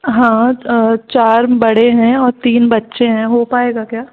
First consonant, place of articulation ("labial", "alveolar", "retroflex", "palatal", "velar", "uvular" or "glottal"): glottal